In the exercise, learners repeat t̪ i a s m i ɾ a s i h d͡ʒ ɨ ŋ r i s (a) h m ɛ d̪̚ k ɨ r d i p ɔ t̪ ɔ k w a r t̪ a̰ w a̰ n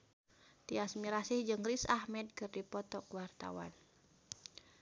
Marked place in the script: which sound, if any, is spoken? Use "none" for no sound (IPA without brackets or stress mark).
a